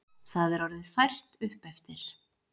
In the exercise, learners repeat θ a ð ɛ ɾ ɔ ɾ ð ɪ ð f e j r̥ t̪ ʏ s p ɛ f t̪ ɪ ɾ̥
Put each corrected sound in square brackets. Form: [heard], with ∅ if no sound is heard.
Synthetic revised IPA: θ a ð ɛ ɾ ɔ ɾ ð ɪ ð f [a] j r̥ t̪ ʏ [h] p ɛ f t̪ ɪ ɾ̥